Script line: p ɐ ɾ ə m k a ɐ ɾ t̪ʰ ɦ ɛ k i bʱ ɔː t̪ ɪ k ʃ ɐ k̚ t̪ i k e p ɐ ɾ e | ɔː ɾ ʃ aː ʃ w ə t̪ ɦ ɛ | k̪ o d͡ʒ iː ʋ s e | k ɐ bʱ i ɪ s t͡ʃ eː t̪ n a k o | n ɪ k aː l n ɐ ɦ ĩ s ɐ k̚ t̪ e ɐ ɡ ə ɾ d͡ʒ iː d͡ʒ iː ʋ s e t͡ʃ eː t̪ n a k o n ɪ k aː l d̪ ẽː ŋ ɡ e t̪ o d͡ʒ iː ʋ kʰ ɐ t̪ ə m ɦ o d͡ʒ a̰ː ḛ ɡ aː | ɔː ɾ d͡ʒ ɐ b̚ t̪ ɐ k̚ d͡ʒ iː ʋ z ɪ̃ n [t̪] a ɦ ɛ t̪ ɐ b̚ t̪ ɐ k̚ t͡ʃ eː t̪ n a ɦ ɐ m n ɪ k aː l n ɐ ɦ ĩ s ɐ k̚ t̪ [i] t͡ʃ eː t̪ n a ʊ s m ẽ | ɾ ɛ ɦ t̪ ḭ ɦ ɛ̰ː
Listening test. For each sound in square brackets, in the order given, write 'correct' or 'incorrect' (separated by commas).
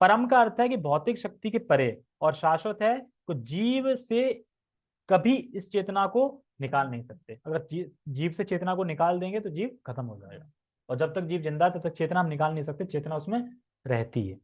incorrect, incorrect